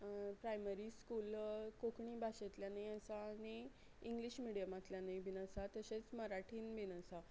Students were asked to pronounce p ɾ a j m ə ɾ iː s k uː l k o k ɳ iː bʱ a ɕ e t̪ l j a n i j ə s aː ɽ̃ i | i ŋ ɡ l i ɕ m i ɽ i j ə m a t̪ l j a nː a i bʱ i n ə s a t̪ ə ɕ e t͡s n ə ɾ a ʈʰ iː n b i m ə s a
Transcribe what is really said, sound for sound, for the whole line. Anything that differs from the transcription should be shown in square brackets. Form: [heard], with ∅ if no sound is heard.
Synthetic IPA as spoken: p ɾ a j m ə ɾ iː s k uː l k o k ɳ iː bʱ a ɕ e t̪ l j a n [a] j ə s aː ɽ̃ i | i ŋ ɡ l i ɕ m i ɽ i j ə m a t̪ l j a [n] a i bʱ i n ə s a t̪ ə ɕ e t͡s [m] ə ɾ a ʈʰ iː n b i [n] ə s a